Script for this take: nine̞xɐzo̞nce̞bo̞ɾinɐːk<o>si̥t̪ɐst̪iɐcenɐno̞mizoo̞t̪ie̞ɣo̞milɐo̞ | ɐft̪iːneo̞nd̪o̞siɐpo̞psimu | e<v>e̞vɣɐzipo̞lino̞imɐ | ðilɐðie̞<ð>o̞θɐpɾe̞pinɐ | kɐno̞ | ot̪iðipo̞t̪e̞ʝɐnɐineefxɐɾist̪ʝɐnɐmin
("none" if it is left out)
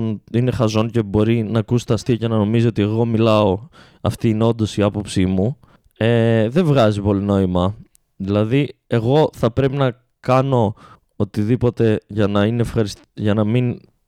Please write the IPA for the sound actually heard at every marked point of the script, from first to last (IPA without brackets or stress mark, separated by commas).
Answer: u, ð, ɣ